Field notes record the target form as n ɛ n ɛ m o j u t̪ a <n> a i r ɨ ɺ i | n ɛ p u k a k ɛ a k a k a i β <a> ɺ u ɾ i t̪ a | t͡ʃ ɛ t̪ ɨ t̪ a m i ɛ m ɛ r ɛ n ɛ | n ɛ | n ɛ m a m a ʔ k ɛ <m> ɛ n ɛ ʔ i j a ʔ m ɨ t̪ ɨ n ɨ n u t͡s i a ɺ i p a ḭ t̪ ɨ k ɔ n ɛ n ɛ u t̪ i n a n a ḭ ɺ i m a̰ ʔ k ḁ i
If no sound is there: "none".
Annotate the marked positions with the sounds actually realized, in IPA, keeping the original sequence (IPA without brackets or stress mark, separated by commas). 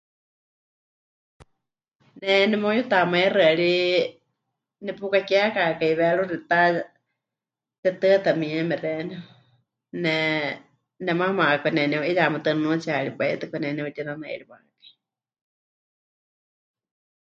m, ɛ, n